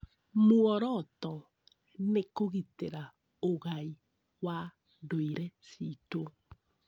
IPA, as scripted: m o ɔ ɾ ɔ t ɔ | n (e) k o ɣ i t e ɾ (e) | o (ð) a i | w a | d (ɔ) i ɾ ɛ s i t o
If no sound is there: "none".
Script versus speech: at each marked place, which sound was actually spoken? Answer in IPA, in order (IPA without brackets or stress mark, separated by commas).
e, a, ɣ, o